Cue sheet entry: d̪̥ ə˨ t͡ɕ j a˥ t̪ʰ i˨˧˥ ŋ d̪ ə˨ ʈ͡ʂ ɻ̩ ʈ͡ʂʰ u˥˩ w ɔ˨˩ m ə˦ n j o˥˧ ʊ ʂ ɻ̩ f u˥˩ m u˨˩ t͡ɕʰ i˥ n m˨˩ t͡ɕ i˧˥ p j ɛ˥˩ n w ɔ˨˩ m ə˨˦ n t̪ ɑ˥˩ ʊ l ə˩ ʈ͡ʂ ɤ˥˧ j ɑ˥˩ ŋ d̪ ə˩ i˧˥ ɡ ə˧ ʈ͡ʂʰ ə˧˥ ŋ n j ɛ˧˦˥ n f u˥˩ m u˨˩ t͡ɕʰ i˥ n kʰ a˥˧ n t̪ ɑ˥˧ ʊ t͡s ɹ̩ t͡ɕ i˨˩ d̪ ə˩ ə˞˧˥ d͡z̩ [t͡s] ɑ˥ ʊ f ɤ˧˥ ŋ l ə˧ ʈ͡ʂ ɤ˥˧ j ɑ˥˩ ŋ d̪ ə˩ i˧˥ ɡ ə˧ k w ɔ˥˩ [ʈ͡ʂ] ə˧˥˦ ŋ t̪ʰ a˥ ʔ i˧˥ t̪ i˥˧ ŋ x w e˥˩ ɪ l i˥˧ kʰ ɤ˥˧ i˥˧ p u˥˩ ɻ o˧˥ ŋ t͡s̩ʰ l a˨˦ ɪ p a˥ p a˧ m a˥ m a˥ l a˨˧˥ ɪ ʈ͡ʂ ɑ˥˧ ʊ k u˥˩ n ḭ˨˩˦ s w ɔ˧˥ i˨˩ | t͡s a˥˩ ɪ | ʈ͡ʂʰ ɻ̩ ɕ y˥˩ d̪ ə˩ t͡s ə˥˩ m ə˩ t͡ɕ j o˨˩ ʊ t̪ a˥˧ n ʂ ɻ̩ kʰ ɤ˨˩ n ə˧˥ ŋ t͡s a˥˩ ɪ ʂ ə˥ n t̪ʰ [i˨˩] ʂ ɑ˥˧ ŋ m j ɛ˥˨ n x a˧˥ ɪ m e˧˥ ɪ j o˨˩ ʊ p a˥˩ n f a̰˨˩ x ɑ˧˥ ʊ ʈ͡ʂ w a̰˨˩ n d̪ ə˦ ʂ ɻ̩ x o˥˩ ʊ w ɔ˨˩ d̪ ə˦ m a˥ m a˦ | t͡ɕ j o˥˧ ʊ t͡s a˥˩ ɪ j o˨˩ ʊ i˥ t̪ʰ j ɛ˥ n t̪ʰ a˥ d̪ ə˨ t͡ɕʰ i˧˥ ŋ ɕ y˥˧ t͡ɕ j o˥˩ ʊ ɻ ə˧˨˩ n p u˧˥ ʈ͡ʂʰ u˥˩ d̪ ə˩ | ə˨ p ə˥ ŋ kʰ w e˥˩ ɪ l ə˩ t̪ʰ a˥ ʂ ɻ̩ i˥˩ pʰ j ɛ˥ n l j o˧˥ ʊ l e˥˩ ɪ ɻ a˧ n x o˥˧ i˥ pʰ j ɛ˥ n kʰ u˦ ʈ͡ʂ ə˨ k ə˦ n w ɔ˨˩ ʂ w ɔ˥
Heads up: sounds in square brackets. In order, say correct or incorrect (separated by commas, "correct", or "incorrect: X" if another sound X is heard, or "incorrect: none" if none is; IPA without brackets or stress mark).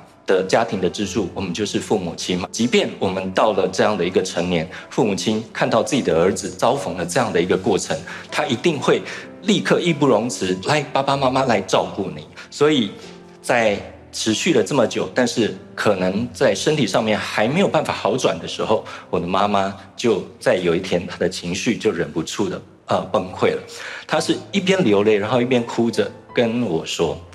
correct, incorrect: ʈ͡ʂʰ, correct